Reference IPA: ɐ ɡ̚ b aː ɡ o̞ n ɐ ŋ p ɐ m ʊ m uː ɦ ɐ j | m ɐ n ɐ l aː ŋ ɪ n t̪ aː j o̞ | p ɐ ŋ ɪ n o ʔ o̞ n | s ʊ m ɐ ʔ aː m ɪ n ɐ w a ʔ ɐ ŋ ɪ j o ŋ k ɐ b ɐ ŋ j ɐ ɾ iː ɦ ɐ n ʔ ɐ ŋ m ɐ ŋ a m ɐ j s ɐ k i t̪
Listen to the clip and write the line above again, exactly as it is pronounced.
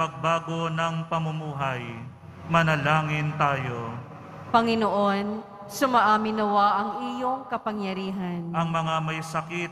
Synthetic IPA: ɐ ɡ̚ b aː ɡ o̞ n ɐ ŋ p ɐ m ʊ m uː ɦ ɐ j | m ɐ n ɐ l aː ŋ ɪ n t̪ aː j o̞ | p ɐ ŋ ɪ n o ʔ o̞ n | s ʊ m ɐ ʔ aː m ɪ n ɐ w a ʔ ɐ ŋ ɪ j o ŋ k ɐ p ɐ ŋ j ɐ ɾ iː ɦ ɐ n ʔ ɐ ŋ m ɐ ŋ a m ɐ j s ɐ k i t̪